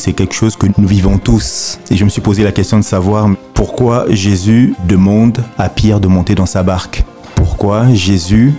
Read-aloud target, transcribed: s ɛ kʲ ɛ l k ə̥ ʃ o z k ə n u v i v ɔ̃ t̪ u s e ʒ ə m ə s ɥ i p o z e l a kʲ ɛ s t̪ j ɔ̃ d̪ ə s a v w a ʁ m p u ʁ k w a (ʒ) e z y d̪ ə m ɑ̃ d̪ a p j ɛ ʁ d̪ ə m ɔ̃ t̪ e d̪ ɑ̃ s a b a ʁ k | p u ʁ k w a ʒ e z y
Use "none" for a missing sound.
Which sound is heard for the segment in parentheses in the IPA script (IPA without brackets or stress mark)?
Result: ʒ